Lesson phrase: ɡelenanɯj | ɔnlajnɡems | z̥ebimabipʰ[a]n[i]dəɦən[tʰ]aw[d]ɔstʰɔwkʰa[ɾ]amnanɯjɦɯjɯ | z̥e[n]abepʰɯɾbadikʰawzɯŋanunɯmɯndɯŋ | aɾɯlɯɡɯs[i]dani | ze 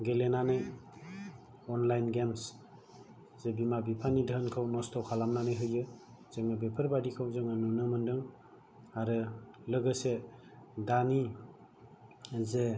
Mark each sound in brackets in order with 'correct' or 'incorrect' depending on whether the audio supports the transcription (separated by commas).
correct, correct, incorrect, incorrect, incorrect, incorrect, incorrect